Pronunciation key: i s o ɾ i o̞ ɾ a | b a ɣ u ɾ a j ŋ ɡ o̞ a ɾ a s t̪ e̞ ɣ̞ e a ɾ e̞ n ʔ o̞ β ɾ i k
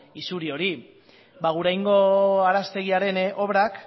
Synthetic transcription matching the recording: i s u ɾ i o̞ ɾ i | b a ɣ u ɾ a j ŋ ɡ o̞ a ɾ a s t̪ e̞ ɣ̞ i a ɾ e̞ n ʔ o̞ β ɾ a k